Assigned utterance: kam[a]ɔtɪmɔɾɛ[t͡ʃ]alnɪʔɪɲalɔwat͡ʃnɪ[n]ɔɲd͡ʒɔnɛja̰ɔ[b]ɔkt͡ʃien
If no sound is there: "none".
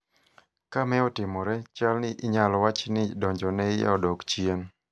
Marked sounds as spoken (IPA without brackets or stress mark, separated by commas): ɛ, t͡ʃ, d, d